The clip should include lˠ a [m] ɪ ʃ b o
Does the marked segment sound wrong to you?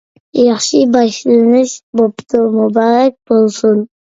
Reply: yes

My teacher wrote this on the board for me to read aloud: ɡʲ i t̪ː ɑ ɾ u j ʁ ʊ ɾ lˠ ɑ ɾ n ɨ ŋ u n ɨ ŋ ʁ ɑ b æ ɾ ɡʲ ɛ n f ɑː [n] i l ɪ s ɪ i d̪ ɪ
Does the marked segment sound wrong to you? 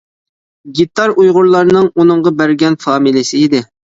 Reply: yes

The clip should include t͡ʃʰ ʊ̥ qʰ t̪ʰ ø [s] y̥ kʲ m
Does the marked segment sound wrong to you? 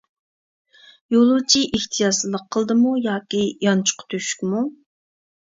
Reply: yes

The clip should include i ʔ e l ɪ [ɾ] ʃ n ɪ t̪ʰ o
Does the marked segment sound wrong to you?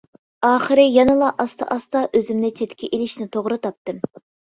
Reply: yes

